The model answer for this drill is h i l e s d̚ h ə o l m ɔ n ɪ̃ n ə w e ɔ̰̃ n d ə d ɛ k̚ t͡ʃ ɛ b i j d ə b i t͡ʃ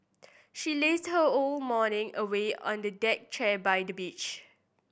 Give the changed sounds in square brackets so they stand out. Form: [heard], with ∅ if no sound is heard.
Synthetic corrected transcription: [ʃ] i l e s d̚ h ə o l m ɔ n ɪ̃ [ŋ] ə w e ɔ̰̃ n d ə d ɛ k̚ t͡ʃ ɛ b [a] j d ə b i t͡ʃ